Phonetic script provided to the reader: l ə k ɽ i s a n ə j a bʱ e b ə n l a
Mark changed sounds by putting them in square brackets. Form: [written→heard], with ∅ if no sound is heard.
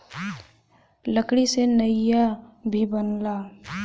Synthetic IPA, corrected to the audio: l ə k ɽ i s [a→e] n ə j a bʱ [e→i] b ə n l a